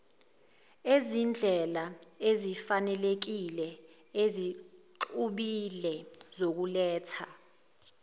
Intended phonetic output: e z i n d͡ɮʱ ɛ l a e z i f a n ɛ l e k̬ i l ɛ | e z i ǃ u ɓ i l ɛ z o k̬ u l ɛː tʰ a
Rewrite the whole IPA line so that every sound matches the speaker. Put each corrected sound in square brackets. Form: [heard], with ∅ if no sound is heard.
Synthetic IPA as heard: e z i n d͡ɮʱ ɛ l a e z i f a n ɛ l e k̬ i l ɛ | e z i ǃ u ɓ i l ɛ z o k̬ u l ɛː tʰ a